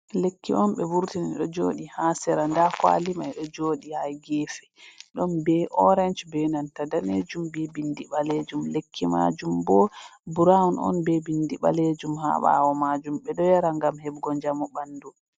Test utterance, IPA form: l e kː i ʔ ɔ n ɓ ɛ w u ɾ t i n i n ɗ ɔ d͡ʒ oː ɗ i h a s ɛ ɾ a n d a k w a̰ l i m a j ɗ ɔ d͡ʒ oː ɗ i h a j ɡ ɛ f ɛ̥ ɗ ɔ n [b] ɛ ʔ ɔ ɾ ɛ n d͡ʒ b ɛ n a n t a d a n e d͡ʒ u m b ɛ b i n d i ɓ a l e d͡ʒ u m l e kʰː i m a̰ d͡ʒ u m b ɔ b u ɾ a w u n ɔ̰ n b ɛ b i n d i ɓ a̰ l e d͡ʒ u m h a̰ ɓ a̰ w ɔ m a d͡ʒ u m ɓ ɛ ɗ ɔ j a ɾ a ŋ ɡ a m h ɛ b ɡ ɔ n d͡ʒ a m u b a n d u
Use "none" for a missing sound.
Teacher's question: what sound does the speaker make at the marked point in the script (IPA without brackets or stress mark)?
b